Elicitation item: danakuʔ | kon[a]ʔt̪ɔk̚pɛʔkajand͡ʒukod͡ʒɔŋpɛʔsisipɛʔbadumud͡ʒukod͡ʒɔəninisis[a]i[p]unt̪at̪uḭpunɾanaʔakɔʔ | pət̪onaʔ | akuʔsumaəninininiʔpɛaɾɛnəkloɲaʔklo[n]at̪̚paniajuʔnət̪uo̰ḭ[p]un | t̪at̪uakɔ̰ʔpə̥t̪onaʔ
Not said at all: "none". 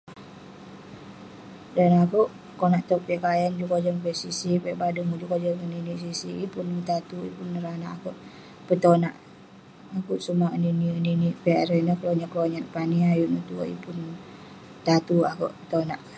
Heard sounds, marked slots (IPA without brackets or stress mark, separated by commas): a, i, p, ɲ, p